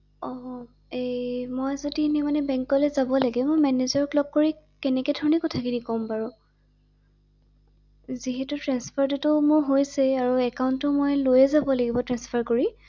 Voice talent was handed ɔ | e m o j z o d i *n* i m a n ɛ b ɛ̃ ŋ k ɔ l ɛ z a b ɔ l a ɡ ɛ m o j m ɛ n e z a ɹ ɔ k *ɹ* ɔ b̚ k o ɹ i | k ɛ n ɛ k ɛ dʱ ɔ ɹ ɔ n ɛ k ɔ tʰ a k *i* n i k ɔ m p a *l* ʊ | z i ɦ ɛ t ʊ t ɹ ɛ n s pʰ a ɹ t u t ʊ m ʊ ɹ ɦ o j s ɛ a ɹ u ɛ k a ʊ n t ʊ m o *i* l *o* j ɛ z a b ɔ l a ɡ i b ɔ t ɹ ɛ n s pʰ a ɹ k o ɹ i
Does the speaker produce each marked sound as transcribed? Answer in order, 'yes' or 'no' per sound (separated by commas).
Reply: yes, no, yes, no, no, yes